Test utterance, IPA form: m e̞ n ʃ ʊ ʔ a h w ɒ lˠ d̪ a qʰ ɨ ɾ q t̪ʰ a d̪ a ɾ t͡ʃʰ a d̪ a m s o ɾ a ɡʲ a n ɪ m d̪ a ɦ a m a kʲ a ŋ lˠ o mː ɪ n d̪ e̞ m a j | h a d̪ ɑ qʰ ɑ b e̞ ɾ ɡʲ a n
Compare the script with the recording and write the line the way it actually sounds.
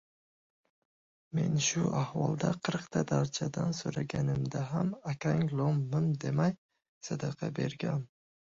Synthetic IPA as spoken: m e̞ n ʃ ʊ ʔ a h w ɒ lˠ d̪ a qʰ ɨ ɾ q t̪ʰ a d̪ a ɾ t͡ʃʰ a d̪ a n s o ɾ a ɡʲ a n ɪ m d̪ a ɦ a m a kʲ a ŋ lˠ o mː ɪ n d̪ e̞ m a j | s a d̪ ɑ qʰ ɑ b e̞ ɾ ɡʲ a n